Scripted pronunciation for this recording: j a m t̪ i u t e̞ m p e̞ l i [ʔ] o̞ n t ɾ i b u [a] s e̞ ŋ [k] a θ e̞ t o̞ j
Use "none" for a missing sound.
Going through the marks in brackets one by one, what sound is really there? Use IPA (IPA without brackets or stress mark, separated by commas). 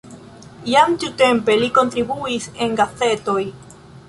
k, i, ɡ